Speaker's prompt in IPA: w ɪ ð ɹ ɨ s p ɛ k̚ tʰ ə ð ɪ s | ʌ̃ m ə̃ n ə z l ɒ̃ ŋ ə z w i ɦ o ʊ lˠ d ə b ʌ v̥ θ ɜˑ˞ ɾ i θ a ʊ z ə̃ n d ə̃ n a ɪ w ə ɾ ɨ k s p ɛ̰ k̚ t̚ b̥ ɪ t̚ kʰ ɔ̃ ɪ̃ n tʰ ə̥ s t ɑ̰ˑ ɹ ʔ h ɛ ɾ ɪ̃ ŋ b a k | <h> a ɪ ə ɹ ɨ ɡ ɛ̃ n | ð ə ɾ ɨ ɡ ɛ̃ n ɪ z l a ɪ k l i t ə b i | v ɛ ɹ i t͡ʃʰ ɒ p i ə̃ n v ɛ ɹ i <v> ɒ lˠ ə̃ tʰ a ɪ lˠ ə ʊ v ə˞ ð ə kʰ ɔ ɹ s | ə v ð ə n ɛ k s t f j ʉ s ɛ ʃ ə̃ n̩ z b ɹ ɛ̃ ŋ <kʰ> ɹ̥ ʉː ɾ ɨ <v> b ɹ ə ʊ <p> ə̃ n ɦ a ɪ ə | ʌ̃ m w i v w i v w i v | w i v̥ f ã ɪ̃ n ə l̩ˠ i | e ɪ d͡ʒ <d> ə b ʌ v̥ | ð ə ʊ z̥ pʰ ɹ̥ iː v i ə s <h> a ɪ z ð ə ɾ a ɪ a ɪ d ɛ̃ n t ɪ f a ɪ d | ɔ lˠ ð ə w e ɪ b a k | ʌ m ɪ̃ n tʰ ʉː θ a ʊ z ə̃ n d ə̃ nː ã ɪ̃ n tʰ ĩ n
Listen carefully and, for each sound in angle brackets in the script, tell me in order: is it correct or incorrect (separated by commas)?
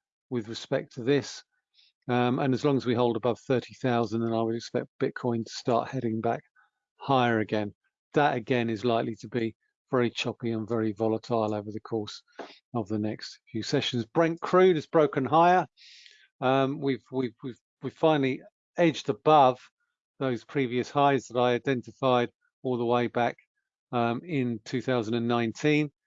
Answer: correct, correct, correct, incorrect, incorrect, correct, correct